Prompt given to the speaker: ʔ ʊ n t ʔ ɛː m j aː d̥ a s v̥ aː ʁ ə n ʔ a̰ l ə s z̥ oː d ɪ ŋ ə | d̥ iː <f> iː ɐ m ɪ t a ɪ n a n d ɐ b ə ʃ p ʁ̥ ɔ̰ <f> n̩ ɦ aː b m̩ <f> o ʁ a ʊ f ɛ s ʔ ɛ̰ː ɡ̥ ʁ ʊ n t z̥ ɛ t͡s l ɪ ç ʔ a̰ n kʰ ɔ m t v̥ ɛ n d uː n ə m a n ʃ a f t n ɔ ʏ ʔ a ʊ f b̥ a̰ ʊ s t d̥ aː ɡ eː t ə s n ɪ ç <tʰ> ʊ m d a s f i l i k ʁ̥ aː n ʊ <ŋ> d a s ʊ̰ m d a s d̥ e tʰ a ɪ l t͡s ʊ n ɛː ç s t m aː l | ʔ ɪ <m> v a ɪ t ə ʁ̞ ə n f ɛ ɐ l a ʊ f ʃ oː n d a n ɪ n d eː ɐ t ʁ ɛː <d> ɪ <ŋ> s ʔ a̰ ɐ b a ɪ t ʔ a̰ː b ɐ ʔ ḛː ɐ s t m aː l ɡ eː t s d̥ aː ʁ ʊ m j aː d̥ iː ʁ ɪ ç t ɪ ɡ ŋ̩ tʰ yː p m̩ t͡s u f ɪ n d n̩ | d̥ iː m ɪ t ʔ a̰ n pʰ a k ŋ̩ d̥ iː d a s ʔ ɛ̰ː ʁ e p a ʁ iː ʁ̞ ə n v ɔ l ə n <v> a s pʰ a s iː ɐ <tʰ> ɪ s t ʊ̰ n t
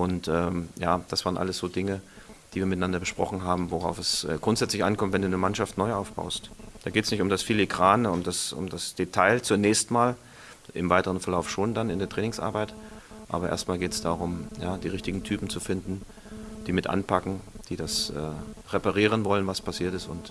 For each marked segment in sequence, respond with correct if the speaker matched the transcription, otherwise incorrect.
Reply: incorrect: v, incorrect: χ, incorrect: v, incorrect: t, incorrect: m, correct, incorrect: n, correct, correct, incorrect: t

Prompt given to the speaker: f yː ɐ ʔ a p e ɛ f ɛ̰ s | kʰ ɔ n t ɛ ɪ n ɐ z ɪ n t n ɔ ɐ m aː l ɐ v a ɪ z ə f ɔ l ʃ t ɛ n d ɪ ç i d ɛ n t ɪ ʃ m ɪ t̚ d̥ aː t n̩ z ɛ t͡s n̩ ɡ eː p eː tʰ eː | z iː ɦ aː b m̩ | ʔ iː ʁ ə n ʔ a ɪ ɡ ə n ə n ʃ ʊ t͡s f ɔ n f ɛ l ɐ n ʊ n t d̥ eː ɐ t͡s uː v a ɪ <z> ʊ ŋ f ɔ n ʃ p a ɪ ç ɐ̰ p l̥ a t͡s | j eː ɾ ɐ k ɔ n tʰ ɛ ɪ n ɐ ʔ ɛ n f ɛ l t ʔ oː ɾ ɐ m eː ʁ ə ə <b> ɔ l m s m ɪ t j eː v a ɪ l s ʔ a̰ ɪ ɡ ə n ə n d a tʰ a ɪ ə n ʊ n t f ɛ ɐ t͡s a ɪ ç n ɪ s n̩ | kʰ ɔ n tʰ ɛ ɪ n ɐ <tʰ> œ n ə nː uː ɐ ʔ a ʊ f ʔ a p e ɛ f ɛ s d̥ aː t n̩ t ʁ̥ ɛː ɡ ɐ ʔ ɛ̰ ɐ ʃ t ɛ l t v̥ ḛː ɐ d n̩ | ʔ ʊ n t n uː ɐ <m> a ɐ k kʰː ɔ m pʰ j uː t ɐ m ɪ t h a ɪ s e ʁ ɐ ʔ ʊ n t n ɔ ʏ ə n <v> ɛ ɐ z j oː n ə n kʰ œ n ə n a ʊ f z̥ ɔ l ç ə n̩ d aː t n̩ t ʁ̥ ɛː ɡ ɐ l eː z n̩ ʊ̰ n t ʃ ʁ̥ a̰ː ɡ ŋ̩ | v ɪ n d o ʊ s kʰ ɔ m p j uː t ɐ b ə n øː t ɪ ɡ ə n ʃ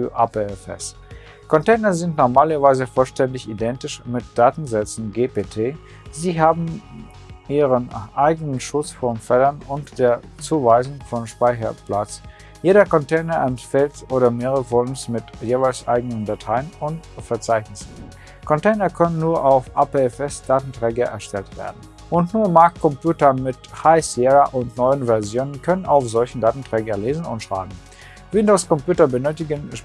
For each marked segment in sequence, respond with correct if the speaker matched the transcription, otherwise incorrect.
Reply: correct, incorrect: v, incorrect: kʰ, correct, correct

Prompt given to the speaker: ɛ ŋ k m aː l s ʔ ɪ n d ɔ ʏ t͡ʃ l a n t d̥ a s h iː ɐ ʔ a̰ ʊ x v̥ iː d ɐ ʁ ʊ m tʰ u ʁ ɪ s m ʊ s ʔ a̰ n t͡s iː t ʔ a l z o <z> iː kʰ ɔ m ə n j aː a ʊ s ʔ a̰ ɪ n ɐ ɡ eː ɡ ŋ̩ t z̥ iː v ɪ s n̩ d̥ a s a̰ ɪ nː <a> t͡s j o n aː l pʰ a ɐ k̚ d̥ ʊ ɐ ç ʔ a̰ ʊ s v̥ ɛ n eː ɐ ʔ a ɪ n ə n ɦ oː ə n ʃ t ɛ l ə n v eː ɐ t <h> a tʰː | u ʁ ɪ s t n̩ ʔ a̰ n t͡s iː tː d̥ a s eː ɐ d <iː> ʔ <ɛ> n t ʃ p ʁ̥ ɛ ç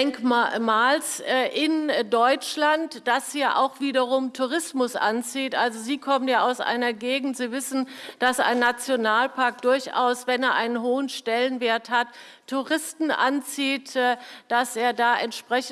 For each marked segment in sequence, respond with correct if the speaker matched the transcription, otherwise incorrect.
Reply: correct, correct, correct, incorrect: aː, correct

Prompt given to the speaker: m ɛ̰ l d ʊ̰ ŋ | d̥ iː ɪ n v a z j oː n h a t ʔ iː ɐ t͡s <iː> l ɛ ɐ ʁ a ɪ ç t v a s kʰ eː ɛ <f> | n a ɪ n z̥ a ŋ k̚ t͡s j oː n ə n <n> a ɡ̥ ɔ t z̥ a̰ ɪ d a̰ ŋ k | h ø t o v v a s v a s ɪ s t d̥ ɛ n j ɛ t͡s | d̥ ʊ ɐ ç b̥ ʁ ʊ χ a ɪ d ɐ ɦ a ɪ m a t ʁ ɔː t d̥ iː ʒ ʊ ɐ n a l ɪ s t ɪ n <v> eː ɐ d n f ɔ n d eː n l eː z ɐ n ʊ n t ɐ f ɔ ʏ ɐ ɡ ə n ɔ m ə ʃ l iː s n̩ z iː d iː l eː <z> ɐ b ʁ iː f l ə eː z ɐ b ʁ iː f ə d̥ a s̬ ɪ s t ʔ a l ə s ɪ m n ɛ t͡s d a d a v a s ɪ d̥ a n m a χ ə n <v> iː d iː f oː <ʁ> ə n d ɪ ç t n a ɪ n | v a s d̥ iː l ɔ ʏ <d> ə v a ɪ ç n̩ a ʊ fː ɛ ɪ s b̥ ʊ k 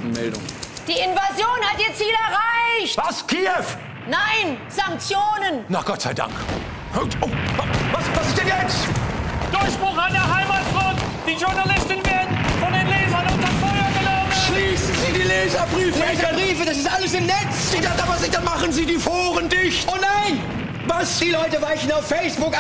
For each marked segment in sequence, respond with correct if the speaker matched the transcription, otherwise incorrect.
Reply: correct, correct, correct, correct, correct, incorrect: z, correct, incorrect: t

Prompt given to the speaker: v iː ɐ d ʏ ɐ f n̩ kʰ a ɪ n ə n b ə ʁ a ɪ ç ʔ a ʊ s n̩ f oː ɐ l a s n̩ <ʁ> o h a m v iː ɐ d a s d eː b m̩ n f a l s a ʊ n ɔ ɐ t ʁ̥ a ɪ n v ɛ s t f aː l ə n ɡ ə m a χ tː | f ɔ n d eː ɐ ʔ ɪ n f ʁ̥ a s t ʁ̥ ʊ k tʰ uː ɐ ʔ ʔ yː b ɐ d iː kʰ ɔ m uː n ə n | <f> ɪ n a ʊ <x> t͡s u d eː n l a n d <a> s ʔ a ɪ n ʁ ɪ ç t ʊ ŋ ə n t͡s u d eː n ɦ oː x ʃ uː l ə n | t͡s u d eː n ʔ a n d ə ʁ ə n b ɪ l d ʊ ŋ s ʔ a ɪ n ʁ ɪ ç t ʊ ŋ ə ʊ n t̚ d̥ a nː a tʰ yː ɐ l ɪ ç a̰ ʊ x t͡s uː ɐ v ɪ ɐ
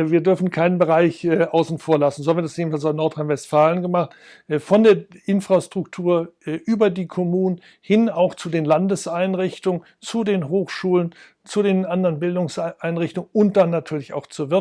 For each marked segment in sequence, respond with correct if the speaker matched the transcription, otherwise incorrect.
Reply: incorrect: z, incorrect: h, correct, incorrect: ə

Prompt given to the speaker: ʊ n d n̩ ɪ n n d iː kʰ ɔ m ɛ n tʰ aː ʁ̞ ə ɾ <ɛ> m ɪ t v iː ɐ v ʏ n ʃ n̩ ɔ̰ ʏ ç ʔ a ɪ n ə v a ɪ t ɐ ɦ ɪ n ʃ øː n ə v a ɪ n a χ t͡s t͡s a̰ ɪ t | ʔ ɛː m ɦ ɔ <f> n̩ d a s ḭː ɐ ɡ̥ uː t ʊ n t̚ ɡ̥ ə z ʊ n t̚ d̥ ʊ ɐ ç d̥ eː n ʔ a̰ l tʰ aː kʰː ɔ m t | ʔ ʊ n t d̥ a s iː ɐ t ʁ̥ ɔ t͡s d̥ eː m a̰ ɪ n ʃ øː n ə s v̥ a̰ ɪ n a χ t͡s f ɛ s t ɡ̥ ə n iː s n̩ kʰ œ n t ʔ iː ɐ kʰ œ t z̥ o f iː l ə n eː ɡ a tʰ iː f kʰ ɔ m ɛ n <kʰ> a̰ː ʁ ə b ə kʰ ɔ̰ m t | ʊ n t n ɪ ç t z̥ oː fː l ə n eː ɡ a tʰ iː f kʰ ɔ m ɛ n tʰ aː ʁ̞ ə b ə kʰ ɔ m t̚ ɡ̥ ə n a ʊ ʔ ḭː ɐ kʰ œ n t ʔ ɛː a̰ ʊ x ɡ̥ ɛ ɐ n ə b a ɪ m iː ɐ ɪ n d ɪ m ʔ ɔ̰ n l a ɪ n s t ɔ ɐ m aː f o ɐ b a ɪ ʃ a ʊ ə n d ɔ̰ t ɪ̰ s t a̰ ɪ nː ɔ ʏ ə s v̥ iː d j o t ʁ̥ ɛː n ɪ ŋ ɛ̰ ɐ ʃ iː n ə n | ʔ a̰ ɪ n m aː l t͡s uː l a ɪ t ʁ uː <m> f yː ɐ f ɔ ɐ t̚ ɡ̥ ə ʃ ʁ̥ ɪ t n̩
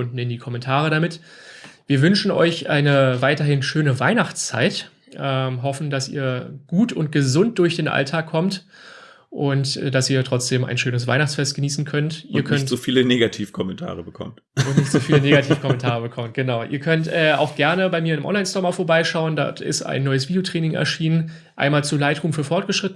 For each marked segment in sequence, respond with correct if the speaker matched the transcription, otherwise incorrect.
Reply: incorrect: a, correct, incorrect: tʰ, correct

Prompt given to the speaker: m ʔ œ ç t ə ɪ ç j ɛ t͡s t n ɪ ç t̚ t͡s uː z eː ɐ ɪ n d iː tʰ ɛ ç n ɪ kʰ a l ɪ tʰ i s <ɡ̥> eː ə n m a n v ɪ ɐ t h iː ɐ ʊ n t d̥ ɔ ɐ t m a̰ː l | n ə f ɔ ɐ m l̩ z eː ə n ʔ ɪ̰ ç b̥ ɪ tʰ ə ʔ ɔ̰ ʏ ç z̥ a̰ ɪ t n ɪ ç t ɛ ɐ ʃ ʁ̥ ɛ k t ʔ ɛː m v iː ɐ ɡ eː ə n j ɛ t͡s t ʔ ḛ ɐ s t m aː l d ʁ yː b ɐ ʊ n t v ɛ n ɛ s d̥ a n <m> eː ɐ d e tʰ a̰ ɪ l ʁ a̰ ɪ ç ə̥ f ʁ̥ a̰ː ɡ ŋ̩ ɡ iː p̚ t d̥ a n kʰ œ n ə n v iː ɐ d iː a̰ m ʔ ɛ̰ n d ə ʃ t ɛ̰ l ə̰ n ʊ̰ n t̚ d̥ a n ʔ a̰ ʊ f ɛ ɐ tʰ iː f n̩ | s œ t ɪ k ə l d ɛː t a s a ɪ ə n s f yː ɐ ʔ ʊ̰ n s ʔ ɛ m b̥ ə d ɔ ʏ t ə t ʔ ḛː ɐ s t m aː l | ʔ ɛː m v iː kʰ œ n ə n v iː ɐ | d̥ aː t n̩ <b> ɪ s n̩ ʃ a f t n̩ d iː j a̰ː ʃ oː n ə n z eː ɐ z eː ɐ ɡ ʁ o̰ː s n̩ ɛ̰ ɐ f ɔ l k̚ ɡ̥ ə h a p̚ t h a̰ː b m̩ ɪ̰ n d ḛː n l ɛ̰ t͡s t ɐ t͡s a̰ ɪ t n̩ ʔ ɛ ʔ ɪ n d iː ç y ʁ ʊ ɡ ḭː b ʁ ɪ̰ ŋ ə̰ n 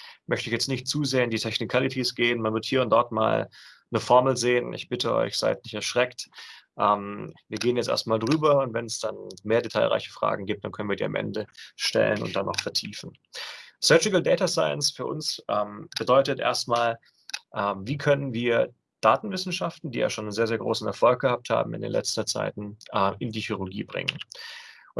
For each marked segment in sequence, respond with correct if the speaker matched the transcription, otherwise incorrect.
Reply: correct, correct, incorrect: v

